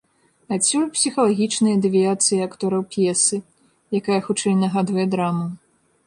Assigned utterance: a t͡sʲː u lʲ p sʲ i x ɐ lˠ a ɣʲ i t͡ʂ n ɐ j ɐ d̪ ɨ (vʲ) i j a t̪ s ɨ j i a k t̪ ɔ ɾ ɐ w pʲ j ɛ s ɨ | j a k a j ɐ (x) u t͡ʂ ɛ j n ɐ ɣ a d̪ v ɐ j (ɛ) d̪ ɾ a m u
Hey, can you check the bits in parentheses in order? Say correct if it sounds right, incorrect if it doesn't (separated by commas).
correct, correct, correct